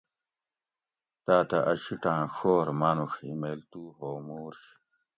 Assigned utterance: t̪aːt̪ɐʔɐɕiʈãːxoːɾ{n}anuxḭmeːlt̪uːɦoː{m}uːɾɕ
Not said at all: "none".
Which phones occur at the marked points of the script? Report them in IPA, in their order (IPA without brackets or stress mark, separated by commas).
m, m